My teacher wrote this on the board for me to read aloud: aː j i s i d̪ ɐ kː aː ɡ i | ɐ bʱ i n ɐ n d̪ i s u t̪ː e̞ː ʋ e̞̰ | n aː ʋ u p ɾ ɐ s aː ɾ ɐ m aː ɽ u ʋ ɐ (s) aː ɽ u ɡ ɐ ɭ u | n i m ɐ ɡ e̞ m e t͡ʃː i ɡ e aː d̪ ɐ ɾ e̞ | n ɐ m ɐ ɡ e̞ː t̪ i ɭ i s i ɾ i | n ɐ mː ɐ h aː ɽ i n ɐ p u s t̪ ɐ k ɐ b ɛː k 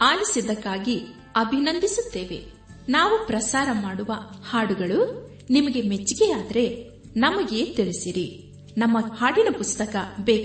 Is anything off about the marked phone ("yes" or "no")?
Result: yes